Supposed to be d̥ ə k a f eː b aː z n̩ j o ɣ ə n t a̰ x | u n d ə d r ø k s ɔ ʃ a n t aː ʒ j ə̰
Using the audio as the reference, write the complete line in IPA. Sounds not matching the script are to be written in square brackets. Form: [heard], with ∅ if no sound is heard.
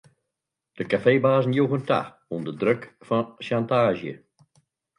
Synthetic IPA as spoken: d̥ ə k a f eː b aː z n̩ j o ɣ ə n t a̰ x | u n d ə d r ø k [f] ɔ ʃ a n t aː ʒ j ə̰